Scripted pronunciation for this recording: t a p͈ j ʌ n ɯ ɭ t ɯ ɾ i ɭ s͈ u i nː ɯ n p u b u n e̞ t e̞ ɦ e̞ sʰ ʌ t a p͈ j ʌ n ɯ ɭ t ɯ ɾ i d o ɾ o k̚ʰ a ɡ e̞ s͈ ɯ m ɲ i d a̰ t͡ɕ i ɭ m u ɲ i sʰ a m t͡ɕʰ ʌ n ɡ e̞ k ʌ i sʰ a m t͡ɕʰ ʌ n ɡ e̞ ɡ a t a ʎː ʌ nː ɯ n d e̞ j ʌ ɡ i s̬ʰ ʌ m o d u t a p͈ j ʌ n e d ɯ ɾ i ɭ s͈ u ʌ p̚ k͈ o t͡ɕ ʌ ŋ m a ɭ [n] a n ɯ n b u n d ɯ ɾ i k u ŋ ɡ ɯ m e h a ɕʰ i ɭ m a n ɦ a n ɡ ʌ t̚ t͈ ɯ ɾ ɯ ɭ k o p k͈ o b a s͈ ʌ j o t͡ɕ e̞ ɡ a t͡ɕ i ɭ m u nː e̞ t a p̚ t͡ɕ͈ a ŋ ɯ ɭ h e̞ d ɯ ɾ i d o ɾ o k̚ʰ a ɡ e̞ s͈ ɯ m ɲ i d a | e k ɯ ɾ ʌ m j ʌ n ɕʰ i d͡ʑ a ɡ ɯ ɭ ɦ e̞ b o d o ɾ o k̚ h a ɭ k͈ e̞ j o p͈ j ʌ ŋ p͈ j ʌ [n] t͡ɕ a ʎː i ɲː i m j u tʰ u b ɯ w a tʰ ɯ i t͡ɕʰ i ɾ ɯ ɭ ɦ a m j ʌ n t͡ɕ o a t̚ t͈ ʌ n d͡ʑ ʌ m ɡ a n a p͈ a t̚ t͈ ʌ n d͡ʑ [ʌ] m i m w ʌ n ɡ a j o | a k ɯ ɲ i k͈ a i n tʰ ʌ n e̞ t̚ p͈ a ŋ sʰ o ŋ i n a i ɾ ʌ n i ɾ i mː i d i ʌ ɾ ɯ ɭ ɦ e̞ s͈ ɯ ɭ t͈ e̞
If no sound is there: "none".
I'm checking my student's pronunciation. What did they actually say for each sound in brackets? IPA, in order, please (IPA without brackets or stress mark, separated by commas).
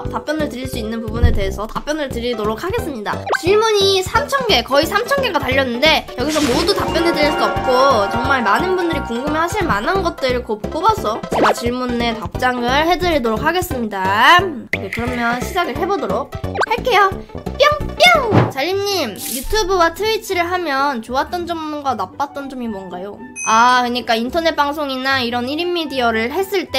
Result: m, ŋ, ʌ